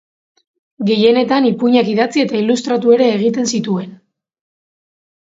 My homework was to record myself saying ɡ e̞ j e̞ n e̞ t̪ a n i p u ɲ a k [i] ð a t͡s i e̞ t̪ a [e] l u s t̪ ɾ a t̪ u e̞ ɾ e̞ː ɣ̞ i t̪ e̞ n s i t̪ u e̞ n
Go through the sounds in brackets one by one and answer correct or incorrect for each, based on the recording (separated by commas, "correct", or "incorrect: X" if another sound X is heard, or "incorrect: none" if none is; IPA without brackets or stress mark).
correct, incorrect: i